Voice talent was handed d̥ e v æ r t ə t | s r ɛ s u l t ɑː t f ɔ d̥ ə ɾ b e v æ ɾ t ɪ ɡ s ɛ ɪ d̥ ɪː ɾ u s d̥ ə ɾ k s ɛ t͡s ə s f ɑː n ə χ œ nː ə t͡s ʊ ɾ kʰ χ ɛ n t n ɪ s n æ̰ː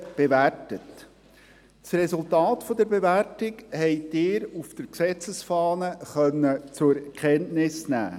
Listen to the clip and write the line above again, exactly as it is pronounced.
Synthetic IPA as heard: b̥ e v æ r t ə t | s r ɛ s u l t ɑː t f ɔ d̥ ə ɾ b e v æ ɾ t ɪ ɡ h ɛ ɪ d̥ ɪː ɾ u f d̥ ə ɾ k s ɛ t͡s ə s f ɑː n ə χ œ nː ə t͡s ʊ ɾ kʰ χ ɛ n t n ɪ s n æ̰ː